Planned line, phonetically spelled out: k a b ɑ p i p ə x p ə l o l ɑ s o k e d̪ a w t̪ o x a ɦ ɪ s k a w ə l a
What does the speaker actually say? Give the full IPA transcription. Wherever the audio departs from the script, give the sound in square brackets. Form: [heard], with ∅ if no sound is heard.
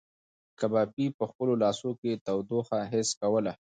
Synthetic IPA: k a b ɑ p i p ə x p ə l o l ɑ s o k e [t̪] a w [d̪] o x a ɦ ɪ s k a w ə l a